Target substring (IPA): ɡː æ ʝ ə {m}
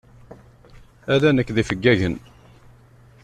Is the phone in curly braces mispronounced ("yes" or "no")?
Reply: yes